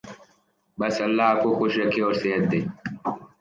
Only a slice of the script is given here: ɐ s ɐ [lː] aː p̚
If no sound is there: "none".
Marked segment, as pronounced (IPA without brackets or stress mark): lː